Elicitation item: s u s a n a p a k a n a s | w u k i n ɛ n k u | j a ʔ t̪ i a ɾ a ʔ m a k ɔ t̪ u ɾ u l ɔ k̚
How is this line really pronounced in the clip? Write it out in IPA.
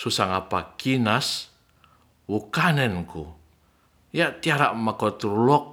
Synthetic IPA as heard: s u s a ŋ a p a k i n a s | w u k a n ɛ n k u | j a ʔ t̪ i a ɾ a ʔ m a k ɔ t̪ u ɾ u l ɔ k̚